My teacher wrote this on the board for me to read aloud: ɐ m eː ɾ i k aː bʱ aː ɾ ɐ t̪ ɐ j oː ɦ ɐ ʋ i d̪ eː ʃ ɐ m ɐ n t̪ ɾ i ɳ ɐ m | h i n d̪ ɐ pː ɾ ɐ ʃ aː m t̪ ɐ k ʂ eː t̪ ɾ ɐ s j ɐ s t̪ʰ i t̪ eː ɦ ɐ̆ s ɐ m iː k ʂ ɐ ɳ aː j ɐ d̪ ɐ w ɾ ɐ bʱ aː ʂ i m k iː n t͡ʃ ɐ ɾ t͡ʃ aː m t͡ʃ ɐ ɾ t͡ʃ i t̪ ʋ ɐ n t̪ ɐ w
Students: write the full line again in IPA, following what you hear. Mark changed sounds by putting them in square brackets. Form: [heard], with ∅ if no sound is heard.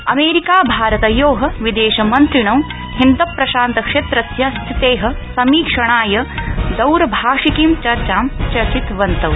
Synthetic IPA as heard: ɐ m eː ɾ i k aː bʱ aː ɾ ɐ t̪ ɐ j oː ɦ ɐ ʋ i d̪ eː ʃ ɐ m ɐ n t̪ ɾ i ɳ ɐ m | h i n d̪ ɐ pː ɾ ɐ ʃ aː [n] t̪ ɐ k ʂ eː t̪ ɾ ɐ s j ɐ s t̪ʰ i t̪ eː ɦ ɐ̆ s ɐ m iː k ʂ ɐ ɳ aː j ɐ d̪ ɐ w ɾ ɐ bʱ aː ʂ i [∅] k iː [m] t͡ʃ ɐ ɾ t͡ʃ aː m t͡ʃ ɐ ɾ t͡ʃ i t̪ ʋ ɐ n t̪ ɐ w